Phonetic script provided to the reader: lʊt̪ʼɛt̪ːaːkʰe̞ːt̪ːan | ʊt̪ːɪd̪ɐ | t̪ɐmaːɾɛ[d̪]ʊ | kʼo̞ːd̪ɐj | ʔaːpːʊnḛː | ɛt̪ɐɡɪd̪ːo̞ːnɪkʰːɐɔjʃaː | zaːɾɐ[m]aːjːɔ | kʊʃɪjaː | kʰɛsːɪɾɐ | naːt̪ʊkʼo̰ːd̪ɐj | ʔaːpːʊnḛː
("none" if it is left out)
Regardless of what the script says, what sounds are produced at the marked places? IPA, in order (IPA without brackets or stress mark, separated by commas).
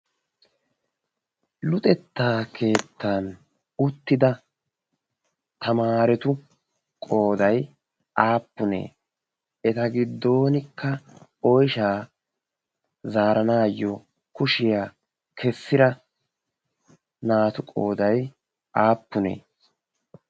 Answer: t̪, n